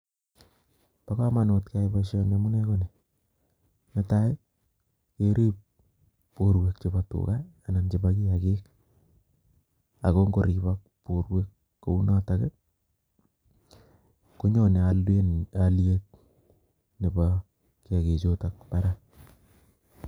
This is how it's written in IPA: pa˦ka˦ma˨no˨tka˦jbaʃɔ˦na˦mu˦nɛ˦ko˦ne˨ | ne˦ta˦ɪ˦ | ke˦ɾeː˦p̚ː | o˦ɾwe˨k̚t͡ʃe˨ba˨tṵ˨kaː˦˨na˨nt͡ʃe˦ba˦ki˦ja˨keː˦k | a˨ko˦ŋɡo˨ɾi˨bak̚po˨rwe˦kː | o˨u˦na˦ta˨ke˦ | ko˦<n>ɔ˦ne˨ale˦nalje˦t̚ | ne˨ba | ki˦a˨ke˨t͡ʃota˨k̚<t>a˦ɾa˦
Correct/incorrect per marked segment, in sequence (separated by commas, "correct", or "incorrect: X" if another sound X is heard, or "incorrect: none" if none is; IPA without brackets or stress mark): incorrect: ɲ, incorrect: p